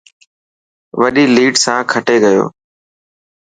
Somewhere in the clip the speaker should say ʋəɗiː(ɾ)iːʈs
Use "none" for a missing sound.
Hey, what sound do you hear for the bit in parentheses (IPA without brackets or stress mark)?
l